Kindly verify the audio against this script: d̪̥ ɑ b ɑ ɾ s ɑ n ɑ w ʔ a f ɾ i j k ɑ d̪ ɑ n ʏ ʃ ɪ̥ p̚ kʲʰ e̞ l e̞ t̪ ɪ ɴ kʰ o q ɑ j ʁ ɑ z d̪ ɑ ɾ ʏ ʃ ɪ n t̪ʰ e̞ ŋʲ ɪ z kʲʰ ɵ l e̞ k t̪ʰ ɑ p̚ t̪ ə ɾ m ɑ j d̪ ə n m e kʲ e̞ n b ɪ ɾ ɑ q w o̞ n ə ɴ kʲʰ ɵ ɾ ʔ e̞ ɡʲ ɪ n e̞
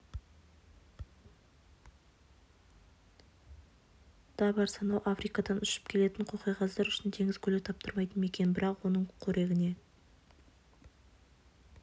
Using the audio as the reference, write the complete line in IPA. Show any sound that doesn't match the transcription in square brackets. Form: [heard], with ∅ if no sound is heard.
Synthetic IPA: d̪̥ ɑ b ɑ ɾ s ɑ n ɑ w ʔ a f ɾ i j k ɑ d̪ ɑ n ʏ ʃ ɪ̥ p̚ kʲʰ e̞ l e̞ t̪ ɪ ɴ [qʰ] o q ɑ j ʁ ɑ z d̪ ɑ ɾ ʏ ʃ ɪ n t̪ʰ e̞ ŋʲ ɪ z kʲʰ ɵ l e̞ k t̪ʰ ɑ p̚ t̪ ə ɾ m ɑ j [t̪] ə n m e kʲ e̞ n b ɪ ɾ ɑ q w o̞ n ə ɴ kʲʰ ɵ ɾ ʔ e̞ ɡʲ ɪ n e̞

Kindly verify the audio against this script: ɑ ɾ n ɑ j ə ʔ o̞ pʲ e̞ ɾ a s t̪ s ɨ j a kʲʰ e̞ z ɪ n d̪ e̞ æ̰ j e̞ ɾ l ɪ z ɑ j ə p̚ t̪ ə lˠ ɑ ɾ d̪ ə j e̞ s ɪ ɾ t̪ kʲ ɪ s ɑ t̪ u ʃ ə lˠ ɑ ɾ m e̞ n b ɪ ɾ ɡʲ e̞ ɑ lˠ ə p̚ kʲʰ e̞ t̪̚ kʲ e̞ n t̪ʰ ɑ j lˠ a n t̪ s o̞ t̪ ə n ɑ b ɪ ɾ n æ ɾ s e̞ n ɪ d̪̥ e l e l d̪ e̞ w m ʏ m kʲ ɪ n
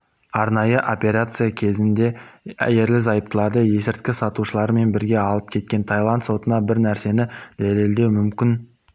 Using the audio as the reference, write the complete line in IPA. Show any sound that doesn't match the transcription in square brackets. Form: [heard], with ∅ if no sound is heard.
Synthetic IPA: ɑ ɾ n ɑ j ə ʔ o̞ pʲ e̞ ɾ a [∅] t̪ s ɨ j a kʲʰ e̞ z ɪ n d̪ e̞ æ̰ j e̞ ɾ l ɪ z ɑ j ə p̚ t̪ ə lˠ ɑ ɾ d̪ ə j e̞ s ɪ ɾ t̪ kʲ ɪ s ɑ t̪ u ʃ ə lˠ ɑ ɾ m e̞ n b ɪ ɾ ɡʲ e̞ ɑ lˠ ə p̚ kʲʰ e̞ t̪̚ kʲ e̞ n t̪ʰ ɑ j lˠ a n t̪ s o̞ t̪ ə n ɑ b ɪ ɾ n æ ɾ s e̞ n ɪ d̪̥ [æ] l e l d̪ e̞ w m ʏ m kʲ ɪ n

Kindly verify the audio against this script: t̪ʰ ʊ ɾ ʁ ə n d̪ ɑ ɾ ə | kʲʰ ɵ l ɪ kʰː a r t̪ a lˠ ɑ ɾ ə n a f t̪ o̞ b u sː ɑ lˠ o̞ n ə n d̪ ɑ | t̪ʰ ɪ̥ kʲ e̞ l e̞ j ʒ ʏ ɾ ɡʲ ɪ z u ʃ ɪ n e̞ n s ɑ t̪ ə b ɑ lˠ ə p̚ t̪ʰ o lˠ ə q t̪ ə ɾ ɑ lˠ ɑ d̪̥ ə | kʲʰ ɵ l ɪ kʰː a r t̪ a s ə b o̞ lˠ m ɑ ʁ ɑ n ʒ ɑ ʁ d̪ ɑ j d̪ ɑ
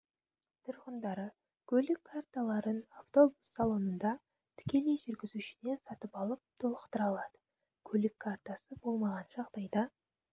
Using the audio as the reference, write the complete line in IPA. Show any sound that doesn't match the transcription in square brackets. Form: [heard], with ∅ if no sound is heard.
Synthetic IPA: t̪ʰ ʊ ɾ ʁ ə n d̪ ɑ ɾ ə | kʲʰ ɵ l ɪ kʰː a r t̪ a lˠ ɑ ɾ ə n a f t̪ o̞ b u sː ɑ lˠ o̞ n ə n d̪ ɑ | t̪ʰ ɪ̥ kʲ e̞ l e̞ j ʒ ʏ ɾ ɡʲ ɪ z u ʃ ɪ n e̞ n s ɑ t̪ ə [p] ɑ lˠ ə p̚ t̪ʰ o lˠ ə q t̪ ə ɾ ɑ lˠ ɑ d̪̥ ə | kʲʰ ɵ l ɪ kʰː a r t̪ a s ə b o̞ lˠ m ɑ ʁ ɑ n ʒ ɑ ʁ d̪ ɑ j d̪ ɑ

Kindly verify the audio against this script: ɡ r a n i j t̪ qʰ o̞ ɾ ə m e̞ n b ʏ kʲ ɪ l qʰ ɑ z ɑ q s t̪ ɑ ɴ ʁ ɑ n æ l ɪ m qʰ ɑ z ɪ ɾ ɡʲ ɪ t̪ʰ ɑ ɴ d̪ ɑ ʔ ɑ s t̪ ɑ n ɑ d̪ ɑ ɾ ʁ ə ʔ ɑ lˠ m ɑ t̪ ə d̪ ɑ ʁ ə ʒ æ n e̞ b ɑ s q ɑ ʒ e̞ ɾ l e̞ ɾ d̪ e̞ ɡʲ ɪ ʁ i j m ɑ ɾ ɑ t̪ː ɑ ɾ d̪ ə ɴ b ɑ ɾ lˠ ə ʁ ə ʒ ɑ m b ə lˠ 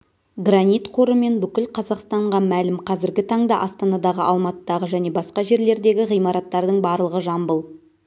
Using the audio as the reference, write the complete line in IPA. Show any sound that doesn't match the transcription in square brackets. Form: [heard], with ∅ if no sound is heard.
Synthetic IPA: ɡ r a n i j t̪ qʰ o̞ ɾ ə m e̞ n b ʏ kʲ ɪ l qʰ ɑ z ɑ q s t̪ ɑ ɴ ʁ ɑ [m] æ l ɪ m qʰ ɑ z ɪ ɾ ɡʲ ɪ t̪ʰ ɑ ɴ d̪ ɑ ʔ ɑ s t̪ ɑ n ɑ d̪ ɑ [∅] ʁ ə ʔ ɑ lˠ m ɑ t̪ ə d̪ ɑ ʁ ə ʒ æ n e̞ b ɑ s q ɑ ʒ e̞ ɾ l e̞ ɾ d̪ e̞ ɡʲ ɪ ʁ i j m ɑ ɾ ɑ t̪ː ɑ ɾ d̪ ə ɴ b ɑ ɾ lˠ ə ʁ ə ʒ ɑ m b ə lˠ

